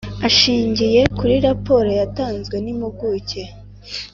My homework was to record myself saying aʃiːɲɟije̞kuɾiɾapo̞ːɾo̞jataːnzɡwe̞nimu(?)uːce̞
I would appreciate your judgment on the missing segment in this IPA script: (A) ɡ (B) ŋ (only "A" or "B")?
A